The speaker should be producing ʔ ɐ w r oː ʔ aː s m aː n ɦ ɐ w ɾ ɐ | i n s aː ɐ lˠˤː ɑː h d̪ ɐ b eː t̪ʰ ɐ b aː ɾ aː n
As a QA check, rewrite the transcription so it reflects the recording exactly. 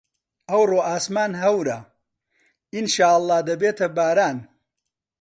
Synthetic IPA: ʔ ɐ w r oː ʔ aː s m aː n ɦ ɐ w ɾ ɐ | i n ʃ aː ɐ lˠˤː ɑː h d̪ ɐ b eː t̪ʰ ɐ b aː ɾ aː n